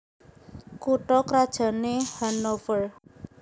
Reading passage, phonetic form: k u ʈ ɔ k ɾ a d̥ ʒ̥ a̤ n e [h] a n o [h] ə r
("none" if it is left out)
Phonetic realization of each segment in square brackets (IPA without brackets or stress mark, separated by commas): h, f